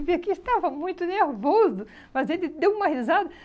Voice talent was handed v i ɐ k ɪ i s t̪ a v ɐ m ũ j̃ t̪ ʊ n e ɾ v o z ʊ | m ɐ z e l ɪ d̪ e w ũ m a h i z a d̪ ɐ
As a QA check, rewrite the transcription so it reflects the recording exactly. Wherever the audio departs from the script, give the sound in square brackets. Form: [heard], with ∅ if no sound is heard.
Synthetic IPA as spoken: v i ɐ k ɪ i s t̪ a v ɐ m ũ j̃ t̪ ʊ n e ɾ v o z ʊ | m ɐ z e l ɪ d̪ e w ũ m [ɐ] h i z a d̪ ɐ